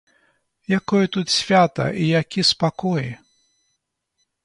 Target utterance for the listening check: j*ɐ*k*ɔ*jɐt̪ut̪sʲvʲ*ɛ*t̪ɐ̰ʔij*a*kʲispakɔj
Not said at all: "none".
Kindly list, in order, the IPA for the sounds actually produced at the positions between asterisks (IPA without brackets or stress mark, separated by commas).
a, ɔ, a, a